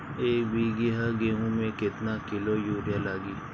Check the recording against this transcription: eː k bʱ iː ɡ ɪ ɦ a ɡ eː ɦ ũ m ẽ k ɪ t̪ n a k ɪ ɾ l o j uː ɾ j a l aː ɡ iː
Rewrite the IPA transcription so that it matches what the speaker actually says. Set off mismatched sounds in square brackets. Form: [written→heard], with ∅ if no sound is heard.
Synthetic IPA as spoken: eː k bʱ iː ɡ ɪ ɦ a ɡ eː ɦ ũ m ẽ k ɪ t̪ n a k ɪ [ɾ→∅] l o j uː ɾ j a l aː ɡ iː